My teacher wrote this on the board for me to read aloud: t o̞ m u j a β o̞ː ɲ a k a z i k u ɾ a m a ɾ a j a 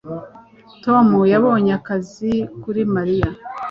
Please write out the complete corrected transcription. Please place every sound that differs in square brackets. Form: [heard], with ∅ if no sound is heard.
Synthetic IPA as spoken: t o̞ m u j a β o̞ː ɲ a k a z i k u ɾ [i] m a ɾ [i] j a